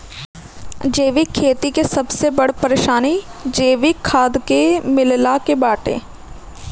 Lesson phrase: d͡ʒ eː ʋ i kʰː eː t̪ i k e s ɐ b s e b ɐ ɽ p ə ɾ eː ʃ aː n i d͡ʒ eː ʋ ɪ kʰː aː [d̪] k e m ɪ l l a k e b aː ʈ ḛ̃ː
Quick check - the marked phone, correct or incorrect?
correct